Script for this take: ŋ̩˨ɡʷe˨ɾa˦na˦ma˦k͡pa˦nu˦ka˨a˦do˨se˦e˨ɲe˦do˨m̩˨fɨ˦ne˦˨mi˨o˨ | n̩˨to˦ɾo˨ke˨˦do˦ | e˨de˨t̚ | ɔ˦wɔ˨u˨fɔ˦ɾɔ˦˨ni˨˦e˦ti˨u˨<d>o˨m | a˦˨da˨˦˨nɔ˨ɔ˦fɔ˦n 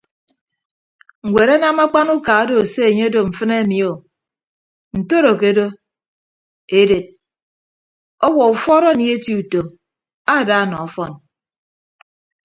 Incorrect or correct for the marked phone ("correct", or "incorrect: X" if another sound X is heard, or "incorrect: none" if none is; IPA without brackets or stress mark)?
incorrect: t